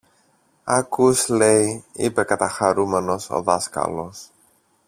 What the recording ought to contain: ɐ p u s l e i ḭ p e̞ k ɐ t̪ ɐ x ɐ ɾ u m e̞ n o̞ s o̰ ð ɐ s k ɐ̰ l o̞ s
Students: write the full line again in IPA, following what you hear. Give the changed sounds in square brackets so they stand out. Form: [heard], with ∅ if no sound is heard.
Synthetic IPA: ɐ [k] u s l e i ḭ p e̞ k ɐ t̪ ɐ x ɐ ɾ u m e̞ n o̞ s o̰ ð ɐ s k ɐ̰ l o̞ s